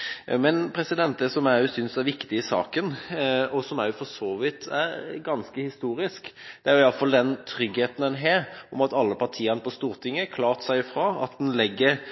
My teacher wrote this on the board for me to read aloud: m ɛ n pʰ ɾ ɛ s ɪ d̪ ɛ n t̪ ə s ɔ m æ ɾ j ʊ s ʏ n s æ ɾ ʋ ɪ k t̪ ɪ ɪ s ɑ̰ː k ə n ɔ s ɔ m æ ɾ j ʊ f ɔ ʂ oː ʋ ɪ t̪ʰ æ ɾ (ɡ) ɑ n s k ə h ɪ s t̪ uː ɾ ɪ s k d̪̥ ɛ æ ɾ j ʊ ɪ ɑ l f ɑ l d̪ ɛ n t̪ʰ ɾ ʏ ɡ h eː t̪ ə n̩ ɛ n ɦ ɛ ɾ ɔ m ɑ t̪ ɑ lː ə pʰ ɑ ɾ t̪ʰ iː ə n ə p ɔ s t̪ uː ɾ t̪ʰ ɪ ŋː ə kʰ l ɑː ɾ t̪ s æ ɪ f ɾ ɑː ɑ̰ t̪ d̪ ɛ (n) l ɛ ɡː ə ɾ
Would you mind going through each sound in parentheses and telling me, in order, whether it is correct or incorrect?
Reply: correct, correct

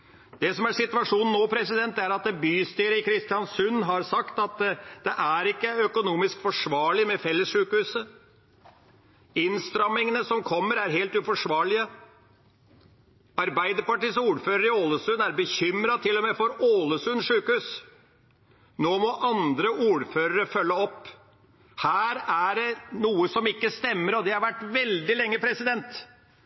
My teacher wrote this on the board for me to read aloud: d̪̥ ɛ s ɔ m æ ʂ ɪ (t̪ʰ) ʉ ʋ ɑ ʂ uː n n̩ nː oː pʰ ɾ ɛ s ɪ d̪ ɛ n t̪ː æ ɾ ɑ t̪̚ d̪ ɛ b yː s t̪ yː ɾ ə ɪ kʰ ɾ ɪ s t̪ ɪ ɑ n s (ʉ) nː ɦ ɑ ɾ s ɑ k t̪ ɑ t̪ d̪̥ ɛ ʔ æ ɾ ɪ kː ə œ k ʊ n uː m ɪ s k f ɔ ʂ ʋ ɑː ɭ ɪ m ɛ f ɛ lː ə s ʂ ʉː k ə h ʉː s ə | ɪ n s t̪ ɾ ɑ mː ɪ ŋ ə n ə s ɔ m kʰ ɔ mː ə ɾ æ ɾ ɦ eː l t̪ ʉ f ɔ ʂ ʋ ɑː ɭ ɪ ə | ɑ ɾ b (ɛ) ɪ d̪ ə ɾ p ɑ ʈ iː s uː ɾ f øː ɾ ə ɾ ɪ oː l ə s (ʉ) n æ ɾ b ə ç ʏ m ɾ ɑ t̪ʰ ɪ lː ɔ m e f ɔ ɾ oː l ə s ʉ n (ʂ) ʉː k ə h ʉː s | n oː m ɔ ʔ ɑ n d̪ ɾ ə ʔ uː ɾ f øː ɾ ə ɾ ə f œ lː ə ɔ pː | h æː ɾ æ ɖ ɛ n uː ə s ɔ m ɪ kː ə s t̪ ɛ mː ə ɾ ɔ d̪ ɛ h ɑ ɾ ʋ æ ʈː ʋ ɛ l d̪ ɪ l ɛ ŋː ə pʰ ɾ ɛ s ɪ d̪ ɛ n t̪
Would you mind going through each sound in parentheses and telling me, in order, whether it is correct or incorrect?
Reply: incorrect: t̪, correct, incorrect: æ, correct, correct

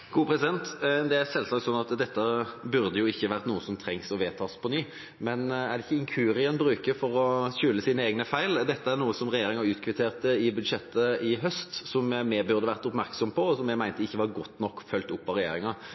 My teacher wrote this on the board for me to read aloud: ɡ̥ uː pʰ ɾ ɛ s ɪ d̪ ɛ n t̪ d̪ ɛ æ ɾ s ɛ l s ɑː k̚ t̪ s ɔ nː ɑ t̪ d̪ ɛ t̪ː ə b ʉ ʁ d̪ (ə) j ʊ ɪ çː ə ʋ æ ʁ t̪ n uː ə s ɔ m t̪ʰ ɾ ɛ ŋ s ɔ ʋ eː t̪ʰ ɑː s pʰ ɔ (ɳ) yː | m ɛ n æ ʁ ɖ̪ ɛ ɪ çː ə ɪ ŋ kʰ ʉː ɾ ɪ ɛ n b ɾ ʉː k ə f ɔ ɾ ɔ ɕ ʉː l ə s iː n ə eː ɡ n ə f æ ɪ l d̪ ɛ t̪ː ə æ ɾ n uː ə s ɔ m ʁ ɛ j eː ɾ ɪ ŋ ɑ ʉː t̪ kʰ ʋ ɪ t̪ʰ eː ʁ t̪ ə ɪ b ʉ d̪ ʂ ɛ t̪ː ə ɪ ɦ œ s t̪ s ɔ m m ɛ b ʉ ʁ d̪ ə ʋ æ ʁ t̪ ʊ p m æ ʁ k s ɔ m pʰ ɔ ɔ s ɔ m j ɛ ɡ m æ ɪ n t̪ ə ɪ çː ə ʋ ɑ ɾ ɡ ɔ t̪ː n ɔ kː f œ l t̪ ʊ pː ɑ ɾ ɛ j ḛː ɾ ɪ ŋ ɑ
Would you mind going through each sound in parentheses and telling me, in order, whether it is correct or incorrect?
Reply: correct, incorrect: n

